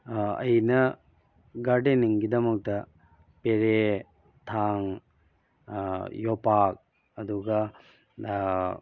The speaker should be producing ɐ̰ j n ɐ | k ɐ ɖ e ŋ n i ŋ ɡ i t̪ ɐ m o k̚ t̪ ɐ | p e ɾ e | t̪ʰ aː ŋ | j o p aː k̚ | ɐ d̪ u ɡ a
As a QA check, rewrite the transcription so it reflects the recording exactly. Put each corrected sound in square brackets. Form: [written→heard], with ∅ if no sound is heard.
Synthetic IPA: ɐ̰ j n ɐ | [k→ɡ] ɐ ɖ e [ŋ→∅] n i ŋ ɡ i [t̪→d̪] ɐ m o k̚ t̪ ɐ | p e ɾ e | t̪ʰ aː ŋ | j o p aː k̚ | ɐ d̪ u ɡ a